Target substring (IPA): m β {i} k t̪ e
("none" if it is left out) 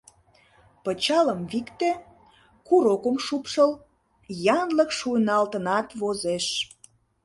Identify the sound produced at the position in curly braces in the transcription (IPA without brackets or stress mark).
i